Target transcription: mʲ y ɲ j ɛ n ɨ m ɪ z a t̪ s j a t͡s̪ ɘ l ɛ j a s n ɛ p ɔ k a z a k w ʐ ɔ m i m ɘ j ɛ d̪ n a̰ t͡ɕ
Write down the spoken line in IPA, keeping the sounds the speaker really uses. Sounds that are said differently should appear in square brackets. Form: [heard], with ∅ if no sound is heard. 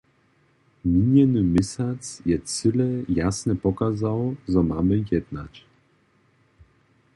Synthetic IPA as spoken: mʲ [i] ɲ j ɛ n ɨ m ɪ [s] a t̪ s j [ɛ] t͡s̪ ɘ l ɛ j a s n ɛ p ɔ k a z a [∅] w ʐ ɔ m [a] m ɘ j ɛ d̪ n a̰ t͡ɕ